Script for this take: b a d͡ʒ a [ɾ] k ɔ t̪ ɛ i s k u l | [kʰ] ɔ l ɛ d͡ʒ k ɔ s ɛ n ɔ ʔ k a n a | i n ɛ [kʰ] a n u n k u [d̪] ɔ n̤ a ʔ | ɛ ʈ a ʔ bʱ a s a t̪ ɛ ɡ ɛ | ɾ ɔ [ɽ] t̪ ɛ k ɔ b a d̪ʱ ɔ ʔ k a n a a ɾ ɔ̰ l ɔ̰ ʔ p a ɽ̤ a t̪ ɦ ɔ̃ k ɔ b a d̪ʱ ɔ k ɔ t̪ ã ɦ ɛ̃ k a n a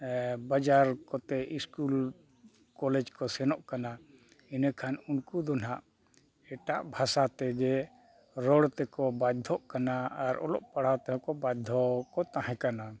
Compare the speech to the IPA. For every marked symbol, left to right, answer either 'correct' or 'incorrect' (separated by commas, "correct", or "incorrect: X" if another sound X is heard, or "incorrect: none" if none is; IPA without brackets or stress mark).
correct, incorrect: k, correct, correct, correct